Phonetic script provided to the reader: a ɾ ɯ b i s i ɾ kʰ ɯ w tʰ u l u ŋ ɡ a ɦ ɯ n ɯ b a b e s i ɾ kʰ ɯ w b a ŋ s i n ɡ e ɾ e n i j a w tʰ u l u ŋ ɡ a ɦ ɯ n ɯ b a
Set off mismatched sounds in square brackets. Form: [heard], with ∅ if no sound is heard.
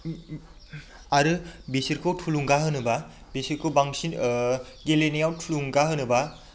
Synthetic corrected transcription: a ɾ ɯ b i s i ɾ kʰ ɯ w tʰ u l u ŋ ɡ a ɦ ɯ n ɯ b a b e s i ɾ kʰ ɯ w b a ŋ s i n ɡ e [l] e n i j a w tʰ u l u ŋ ɡ a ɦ ɯ n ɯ b a